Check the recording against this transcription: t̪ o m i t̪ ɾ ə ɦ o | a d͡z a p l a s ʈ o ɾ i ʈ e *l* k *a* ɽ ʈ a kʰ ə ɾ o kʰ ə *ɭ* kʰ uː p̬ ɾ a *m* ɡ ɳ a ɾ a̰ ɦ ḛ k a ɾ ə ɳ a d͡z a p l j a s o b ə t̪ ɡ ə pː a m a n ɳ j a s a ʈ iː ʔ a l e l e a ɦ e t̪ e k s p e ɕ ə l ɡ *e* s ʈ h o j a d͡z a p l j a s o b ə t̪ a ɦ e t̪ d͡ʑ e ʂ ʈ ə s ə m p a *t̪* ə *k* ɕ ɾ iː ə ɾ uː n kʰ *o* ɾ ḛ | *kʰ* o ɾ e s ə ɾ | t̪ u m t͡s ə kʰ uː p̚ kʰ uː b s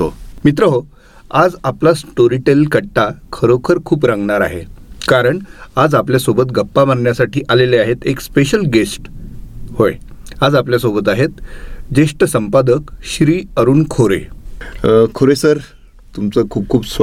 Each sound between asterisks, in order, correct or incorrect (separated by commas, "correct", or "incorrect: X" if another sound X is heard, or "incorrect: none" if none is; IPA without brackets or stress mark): correct, incorrect: ə, incorrect: ɾ, incorrect: ŋ, correct, incorrect: d̪, correct, correct, correct